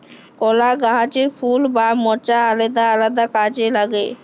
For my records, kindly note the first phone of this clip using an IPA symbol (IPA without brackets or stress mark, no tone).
k